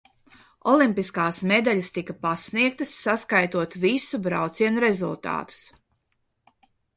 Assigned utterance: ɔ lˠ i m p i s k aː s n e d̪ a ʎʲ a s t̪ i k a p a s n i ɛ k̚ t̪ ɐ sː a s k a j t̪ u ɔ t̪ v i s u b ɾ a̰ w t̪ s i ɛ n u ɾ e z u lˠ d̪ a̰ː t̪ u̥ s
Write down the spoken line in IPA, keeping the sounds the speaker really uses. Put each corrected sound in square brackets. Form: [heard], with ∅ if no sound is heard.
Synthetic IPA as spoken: ɔ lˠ i m p i s k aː s [m] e d̪ a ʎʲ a s t̪ i k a p a s n i ɛ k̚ t̪ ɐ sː a s k a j t̪ u ɔ t̪ v i s u b ɾ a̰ w t̪ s i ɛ n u ɾ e z u lˠ [t̪] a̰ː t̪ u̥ s